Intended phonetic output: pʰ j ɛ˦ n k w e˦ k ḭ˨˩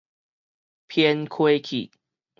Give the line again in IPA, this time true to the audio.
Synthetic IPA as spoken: pʰ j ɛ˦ n kʰ w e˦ kʰ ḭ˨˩